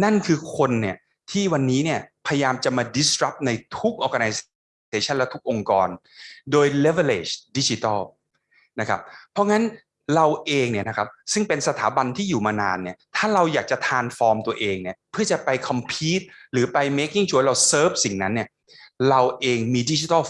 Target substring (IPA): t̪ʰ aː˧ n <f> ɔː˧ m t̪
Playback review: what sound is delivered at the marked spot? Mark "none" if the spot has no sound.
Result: f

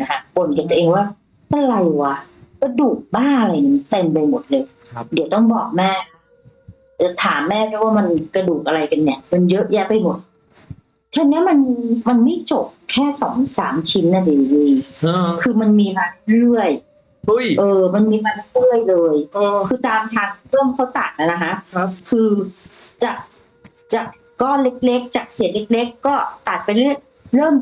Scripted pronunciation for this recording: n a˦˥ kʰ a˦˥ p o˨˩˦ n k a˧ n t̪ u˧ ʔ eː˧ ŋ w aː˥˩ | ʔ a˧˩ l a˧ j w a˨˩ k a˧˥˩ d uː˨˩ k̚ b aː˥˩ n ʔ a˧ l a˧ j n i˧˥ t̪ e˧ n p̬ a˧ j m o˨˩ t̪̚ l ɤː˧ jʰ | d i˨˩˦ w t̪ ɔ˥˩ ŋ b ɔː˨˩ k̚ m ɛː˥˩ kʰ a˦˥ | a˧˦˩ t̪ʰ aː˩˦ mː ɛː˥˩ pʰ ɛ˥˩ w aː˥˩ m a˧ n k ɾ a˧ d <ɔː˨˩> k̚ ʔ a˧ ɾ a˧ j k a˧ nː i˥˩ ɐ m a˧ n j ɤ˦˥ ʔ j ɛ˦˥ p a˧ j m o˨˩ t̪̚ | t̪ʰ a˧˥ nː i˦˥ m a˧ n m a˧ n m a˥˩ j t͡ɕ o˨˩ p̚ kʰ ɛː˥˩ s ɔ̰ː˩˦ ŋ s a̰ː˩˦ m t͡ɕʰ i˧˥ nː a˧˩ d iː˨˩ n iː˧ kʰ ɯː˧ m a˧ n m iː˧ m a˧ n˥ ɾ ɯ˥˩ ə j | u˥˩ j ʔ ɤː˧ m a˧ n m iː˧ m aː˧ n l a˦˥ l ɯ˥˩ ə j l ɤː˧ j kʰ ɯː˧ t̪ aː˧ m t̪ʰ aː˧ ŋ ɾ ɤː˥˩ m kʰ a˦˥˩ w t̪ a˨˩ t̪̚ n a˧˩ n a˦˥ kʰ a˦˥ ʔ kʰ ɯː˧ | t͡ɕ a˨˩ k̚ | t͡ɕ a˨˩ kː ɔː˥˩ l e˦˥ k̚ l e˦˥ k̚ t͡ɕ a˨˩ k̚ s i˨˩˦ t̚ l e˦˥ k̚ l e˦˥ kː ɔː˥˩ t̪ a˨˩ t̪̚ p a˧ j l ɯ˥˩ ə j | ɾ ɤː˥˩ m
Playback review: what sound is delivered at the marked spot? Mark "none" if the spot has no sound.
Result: uː˨˩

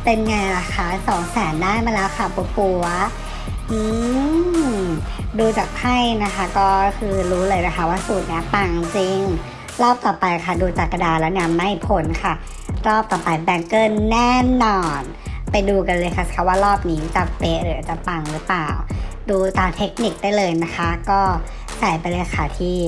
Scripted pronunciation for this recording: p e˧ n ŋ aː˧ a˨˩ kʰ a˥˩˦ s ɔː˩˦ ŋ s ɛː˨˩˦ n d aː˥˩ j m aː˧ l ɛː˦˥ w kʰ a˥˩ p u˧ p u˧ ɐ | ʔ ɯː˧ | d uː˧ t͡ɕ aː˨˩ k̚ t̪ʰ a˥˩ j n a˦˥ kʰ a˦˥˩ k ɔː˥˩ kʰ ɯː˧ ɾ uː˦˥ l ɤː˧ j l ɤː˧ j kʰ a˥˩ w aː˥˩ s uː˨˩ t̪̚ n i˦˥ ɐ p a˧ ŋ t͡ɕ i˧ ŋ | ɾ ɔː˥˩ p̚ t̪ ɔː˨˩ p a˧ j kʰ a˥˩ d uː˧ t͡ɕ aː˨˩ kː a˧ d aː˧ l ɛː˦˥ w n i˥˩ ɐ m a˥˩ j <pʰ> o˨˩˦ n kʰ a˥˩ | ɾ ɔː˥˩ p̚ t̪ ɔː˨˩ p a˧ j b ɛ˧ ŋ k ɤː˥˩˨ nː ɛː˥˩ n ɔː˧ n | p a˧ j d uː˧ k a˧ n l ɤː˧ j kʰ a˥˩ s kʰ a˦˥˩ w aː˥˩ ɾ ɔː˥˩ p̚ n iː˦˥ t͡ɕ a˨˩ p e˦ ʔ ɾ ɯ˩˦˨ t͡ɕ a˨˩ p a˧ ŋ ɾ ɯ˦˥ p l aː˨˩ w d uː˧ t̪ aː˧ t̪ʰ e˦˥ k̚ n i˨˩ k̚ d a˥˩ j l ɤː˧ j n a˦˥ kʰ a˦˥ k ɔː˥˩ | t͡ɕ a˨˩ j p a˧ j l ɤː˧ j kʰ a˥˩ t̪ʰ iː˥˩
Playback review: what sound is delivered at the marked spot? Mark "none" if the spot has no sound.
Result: pʰ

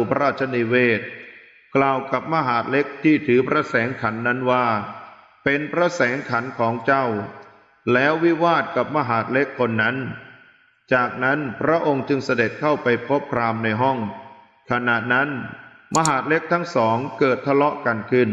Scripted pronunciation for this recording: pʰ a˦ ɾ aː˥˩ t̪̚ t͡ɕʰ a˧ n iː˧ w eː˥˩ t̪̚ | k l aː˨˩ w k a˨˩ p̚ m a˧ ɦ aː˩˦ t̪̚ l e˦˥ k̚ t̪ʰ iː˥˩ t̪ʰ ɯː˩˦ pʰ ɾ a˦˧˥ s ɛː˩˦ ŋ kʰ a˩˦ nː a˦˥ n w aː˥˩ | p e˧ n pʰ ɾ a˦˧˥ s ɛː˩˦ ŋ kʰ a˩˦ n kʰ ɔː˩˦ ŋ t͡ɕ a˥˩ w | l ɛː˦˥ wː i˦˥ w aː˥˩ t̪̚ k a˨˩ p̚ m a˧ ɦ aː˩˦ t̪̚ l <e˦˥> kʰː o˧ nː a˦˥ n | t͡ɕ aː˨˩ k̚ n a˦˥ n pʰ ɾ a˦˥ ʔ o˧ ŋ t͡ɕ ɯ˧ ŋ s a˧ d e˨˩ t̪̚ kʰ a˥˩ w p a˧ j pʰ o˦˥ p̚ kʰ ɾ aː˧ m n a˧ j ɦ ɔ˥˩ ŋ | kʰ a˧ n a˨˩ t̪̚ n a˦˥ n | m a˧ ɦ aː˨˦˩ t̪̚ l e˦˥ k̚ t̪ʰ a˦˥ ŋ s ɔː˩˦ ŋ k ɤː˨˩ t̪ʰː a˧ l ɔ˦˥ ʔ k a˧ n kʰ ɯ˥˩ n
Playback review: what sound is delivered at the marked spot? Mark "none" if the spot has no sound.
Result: e˦˥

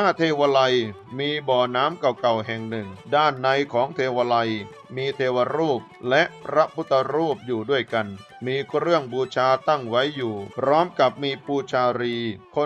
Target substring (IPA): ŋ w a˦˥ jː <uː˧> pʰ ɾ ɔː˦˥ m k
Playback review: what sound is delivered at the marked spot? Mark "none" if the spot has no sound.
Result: uː˨˩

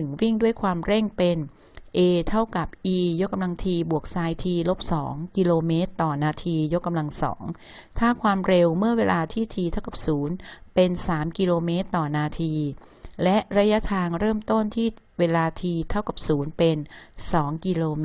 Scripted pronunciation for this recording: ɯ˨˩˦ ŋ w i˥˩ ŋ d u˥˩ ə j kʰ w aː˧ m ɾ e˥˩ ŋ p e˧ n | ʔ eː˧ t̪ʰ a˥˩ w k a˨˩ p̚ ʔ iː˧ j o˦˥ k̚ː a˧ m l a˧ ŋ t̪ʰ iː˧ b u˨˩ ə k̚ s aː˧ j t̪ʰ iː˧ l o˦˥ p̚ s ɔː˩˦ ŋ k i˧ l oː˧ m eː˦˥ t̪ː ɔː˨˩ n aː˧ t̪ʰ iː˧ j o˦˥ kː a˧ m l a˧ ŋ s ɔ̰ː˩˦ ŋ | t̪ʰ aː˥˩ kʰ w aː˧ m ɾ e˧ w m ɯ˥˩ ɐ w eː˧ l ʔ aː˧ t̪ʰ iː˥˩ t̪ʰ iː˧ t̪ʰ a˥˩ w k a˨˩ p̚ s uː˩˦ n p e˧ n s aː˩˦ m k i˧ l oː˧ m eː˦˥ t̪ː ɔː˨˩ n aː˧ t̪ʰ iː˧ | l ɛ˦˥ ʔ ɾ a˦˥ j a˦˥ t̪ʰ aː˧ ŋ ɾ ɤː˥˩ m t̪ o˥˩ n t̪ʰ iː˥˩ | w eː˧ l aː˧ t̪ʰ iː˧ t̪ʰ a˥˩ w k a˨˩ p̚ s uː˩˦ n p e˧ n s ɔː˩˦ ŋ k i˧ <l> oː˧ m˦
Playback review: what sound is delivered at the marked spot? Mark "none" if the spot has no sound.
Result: l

